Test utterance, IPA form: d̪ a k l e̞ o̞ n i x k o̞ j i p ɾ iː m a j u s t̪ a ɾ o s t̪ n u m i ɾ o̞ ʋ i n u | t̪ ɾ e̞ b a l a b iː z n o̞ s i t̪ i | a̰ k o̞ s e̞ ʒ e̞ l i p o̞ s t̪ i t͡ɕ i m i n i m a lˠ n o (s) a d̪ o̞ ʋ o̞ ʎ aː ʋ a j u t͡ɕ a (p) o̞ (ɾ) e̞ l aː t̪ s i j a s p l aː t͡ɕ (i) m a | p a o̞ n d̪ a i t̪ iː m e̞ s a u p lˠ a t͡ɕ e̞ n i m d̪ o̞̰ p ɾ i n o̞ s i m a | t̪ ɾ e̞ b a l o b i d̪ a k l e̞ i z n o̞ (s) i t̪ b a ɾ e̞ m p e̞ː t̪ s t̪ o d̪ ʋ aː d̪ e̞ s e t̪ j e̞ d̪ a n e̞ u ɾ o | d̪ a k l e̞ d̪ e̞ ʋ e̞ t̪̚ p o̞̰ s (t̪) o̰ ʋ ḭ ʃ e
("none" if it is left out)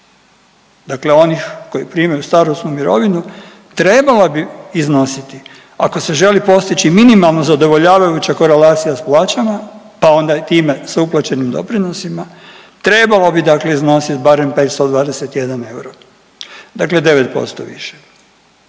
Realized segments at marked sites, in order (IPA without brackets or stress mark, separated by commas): z, k, ɾ, a, s, t̪